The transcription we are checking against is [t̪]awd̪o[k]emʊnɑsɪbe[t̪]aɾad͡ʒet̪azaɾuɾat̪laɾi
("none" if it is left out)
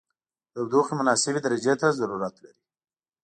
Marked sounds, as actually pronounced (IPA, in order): d̪, x, d̪

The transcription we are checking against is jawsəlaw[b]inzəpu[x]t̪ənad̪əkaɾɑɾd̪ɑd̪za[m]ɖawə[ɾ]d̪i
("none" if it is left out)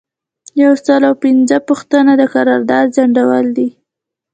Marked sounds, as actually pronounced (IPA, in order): p, x, ɳ, l

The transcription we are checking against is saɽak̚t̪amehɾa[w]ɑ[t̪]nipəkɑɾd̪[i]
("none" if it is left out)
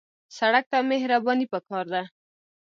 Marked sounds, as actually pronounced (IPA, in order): b, none, a

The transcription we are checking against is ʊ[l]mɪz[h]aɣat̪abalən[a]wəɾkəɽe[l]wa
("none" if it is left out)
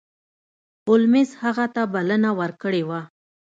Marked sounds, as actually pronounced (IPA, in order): l, h, a, none

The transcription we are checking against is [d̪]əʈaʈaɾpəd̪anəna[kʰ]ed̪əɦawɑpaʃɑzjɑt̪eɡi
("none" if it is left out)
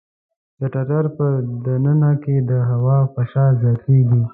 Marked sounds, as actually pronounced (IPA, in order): d̪, k

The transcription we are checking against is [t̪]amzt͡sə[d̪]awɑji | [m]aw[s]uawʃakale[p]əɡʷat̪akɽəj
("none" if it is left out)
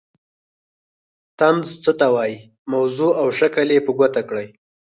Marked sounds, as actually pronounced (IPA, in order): t̪, t̪, m, z, p

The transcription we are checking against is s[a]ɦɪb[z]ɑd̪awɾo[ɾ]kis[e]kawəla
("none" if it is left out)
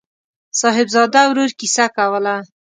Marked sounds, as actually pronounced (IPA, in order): ɑ, z, ɾ, a

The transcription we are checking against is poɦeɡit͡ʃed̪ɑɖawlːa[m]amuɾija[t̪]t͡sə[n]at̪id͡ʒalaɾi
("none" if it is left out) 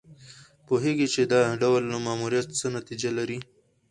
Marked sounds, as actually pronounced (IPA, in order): m, t̪, n

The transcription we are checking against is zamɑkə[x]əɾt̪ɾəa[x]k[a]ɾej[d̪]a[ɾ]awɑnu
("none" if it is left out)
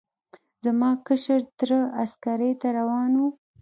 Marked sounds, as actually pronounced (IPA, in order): ʃ, s, a, t̪, ɾ

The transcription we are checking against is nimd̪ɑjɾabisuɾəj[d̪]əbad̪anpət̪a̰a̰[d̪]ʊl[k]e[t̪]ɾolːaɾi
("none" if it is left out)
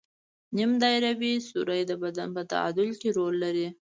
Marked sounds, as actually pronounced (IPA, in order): d̪, d̪, k, none

